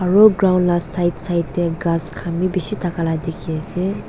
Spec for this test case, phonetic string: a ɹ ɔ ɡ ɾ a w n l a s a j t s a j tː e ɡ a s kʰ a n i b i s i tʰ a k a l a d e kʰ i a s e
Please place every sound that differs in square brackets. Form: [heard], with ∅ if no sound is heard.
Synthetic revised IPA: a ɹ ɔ ɡ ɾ a w n l a s a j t s a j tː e ɡ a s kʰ a [m] i b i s i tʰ a k a l a d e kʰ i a s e